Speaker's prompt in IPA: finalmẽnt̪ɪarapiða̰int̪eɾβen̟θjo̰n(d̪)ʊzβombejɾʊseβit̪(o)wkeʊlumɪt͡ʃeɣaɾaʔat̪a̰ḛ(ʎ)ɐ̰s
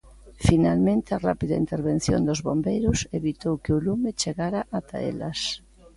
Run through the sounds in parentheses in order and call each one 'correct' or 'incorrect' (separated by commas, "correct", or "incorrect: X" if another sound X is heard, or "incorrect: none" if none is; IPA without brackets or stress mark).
correct, correct, incorrect: l